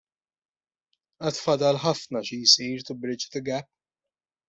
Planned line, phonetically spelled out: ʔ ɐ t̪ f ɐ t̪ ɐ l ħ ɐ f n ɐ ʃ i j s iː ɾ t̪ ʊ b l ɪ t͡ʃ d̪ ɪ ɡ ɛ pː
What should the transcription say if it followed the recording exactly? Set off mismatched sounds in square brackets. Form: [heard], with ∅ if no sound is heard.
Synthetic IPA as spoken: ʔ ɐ t̪ f ɐ [d̪] ɐ l ħ ɐ f n ɐ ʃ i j s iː ɾ t̪ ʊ b [ɾ] ɪ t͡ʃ [t̪] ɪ ɡ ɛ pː

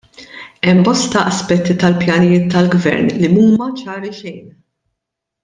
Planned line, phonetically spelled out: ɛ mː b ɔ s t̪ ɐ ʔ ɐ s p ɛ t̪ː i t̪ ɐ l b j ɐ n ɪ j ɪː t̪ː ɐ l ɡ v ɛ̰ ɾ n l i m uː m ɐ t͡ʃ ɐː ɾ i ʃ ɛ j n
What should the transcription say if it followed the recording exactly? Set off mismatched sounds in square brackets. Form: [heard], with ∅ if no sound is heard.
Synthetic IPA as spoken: ɛ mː b ɔ s t̪ ɐ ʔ ɐ s p ɛ t̪ː i t̪ ɐ l [p] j ɐ n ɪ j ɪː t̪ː ɐ l ɡ v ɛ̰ ɾ n l i m uː m ɐ t͡ʃ ɐː ɾ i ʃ ɛ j n

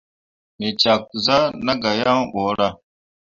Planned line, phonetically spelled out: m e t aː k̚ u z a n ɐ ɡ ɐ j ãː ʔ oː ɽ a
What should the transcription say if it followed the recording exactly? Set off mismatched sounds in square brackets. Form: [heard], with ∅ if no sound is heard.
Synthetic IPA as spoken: m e [t͡ɕ] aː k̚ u z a n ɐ ɡ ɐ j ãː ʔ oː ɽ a

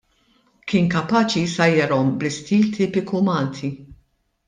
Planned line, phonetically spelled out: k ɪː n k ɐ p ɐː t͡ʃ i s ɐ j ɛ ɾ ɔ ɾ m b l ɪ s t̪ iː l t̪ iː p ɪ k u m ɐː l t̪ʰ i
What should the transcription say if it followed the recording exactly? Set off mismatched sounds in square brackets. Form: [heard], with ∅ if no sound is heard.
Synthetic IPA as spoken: k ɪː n k ɐ p ɐː t͡ʃ i s ɐ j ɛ ɾ ɔ [∅] m b l ɪ s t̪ iː l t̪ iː p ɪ k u m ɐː l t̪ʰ i

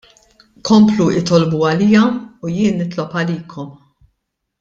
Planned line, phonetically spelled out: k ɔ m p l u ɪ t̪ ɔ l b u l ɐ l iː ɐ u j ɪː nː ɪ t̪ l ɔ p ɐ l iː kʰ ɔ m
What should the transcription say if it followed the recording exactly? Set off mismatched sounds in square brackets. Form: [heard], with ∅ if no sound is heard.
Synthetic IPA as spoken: k ɔ m p l u ɪ t̪ ɔ l b u [∅] ɐ l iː ɐ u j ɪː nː ɪ t̪ l ɔ p ɐ l iː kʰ ɔ m

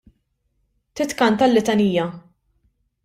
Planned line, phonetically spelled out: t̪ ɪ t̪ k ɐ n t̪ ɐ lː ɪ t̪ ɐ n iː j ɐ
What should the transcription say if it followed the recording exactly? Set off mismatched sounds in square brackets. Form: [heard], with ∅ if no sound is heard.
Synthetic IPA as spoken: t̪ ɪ t̪ k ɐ n t̪ ɐ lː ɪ t̪ ɐ n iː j ɐ

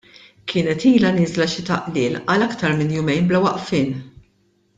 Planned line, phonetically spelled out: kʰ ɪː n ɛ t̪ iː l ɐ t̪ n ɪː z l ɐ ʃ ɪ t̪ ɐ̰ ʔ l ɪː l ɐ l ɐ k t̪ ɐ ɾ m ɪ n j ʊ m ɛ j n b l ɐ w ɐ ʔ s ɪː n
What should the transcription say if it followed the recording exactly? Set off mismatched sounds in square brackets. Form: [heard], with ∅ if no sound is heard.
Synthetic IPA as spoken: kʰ ɪː n ɛ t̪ iː l ɐ [∅] n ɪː z l ɐ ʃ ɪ t̪ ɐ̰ ʔ l ɪː l ɐ l ɐ k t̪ ɐ ɾ m ɪ n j ʊ m ɛ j n b l ɐ w ɐ ʔ [f] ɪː n

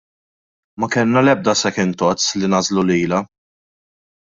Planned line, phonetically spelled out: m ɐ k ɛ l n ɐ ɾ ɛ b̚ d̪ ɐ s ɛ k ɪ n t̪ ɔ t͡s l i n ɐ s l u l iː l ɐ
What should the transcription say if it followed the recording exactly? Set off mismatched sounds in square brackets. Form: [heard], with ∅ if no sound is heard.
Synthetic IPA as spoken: m ɐ k ɛ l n ɐ [l] ɛ b̚ d̪ ɐ s ɛ k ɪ n t̪ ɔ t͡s l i n ɐ [z] l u l iː l ɐ

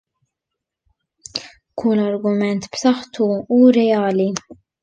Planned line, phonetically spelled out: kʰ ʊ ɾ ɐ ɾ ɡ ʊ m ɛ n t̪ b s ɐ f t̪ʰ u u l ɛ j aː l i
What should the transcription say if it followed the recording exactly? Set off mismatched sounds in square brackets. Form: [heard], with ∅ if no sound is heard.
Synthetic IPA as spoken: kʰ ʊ [l] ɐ ɾ ɡ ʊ m ɛ n t̪ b s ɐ [ħ] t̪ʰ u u [ɾ] ɛ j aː l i

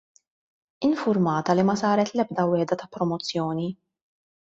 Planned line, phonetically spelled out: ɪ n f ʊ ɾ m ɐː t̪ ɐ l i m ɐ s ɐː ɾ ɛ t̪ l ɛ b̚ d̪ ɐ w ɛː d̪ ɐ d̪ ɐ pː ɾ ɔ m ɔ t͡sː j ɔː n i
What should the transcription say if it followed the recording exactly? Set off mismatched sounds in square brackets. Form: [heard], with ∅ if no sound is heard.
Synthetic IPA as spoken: ɪ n f ʊ ɾ m ɐː t̪ ɐ l i m ɐ s ɐː ɾ ɛ t̪ l ɛ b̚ d̪ ɐ w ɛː d̪ ɐ [t̪] ɐ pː ɾ ɔ m ɔ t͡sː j ɔː n i

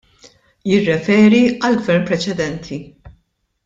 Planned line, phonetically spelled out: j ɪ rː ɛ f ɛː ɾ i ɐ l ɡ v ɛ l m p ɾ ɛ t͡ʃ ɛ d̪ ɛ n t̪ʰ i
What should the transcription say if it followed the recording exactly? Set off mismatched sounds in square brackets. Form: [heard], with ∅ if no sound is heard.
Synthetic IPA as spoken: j ɪ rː ɛ f ɛː ɾ i ɐ l ɡ v ɛ [ɾ] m p ɾ ɛ t͡ʃ ɛ d̪ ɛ n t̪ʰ i

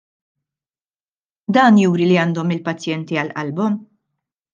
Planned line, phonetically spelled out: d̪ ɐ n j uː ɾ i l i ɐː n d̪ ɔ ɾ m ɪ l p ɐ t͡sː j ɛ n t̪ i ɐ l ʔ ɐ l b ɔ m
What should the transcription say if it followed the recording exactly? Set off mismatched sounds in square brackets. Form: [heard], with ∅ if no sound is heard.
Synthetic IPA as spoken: d̪ [ɐː] n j uː ɾ i l i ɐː n d̪ ɔ [∅] m ɪ l p ɐ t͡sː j ɛ n t̪ i ɐ l ʔ ɐ l b ɔ m

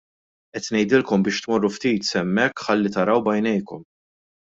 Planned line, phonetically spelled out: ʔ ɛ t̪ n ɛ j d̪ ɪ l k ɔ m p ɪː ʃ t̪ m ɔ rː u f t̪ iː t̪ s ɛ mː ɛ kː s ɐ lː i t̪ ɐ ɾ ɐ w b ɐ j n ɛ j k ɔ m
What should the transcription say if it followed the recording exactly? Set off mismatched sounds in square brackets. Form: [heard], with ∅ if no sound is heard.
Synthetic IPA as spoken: ʔ ɛ t̪ n ɛ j d̪ ɪ l k ɔ m [b] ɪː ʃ t̪ m ɔ rː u f t̪ iː t̪ s ɛ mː ɛ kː [ħ] ɐ lː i t̪ ɐ ɾ ɐ w b ɐ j n ɛ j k ɔ m

